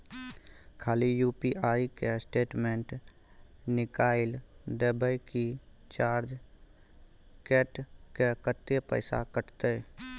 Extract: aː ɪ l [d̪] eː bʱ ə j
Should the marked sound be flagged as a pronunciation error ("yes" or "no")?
no